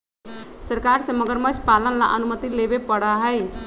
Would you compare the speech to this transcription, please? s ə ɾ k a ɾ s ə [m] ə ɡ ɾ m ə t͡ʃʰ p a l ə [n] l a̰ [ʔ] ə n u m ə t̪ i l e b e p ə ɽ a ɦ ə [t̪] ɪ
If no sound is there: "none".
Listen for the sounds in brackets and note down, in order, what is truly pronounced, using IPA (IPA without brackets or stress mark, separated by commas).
m, n, ʔ, none